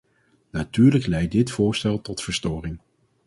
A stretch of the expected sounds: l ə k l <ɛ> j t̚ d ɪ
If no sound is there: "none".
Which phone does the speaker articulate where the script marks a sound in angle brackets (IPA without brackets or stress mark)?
ɛ